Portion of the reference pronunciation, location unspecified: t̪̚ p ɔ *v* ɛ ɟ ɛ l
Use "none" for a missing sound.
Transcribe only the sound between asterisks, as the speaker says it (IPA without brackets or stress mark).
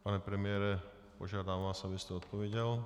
ʋ